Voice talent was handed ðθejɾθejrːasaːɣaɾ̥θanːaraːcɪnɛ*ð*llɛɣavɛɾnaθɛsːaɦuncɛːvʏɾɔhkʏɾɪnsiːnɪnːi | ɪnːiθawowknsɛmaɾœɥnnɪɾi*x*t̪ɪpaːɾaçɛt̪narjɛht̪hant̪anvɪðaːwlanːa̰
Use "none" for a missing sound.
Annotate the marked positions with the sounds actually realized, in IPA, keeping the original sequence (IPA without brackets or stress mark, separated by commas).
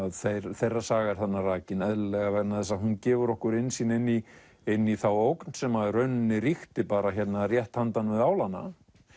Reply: ð, x